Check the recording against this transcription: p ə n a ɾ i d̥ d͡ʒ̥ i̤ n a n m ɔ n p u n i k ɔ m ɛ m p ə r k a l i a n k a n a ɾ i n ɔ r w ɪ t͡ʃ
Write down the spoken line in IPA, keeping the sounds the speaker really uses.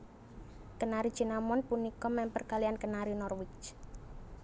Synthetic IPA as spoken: k ə n a ɾ i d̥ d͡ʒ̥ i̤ n a m ɔ n p u n i k ɔ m ɛ m p ə r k a l i a n k ə n a ɾ i n ɔ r w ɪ t͡ʃ